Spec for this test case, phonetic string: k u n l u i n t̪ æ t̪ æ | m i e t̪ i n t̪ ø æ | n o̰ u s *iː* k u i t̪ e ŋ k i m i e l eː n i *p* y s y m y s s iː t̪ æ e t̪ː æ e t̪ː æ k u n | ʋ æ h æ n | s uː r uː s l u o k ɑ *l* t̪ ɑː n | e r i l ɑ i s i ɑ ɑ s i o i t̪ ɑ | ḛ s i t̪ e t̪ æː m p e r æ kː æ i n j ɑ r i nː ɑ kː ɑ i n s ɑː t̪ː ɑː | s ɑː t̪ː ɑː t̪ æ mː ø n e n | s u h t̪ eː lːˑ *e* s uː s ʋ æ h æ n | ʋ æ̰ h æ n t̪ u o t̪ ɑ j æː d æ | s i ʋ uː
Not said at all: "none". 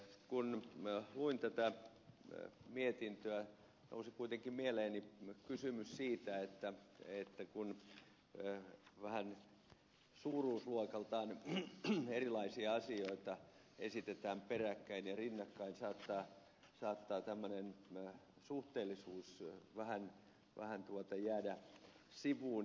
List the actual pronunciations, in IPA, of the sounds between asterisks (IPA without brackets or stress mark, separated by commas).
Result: i, k, l, i